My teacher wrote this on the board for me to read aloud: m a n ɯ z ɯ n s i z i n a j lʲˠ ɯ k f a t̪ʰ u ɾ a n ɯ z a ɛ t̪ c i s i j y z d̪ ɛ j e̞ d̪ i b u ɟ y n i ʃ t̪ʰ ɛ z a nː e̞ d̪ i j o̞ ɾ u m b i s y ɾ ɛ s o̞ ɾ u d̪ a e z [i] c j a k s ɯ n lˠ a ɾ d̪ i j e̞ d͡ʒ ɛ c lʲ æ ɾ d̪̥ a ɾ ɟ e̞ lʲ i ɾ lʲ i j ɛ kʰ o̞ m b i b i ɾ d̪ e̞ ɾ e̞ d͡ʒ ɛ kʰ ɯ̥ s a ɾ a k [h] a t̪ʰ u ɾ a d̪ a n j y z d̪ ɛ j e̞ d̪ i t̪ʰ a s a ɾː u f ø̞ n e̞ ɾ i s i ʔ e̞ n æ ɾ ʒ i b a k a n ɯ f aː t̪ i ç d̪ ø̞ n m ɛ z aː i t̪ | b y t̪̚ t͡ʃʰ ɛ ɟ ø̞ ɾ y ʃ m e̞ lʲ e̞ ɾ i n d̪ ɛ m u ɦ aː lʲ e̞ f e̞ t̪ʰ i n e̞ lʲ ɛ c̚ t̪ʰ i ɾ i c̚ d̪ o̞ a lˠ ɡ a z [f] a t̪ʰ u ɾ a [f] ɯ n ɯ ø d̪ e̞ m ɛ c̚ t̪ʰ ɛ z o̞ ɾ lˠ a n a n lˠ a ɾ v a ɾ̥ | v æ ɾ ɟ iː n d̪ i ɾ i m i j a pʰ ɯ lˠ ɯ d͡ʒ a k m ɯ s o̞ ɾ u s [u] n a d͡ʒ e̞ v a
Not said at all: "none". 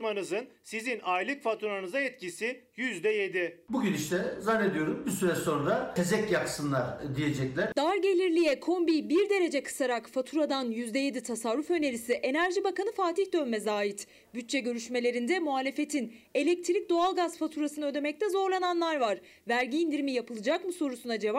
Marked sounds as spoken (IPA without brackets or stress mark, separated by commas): ɛ, f, f, s, u